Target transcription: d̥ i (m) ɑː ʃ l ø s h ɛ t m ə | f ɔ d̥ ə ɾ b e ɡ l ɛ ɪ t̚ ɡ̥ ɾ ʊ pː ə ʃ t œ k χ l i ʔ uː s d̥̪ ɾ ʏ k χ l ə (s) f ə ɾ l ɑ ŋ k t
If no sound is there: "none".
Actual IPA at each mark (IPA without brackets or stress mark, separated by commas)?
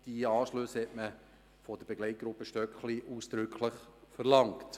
none, χ